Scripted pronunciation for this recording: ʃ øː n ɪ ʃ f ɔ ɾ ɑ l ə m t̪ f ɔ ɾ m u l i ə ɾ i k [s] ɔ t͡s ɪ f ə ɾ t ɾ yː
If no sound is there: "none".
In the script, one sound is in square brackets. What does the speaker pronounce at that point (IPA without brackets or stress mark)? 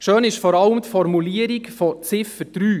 f